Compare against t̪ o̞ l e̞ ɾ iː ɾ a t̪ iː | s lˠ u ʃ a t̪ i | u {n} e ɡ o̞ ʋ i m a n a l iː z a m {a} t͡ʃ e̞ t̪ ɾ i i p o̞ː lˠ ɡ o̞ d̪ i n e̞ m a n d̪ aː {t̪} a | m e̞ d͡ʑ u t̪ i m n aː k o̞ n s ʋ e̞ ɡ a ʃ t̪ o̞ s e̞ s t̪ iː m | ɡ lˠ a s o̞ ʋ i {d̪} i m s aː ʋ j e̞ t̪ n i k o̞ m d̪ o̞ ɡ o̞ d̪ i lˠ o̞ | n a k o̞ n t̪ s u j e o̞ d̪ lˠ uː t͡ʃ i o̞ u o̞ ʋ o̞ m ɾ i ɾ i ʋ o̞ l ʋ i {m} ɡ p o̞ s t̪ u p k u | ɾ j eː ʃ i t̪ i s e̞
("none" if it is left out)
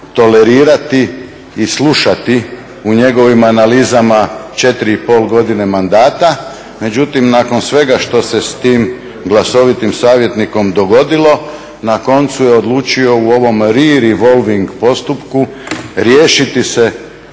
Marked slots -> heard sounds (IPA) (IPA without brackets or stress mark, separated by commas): ɲ, a, t̪, t̪, ŋ